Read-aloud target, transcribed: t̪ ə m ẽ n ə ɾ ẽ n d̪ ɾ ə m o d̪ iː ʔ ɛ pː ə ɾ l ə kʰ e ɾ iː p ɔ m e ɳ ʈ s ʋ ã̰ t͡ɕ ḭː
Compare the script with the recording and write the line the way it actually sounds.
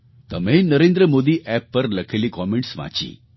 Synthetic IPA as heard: t̪ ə m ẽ n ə ɾ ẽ n d̪ ɾ ə m o d̪ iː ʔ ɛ pː ə ɾ l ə kʰ e l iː k ɔ m e ɳ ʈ s ʋ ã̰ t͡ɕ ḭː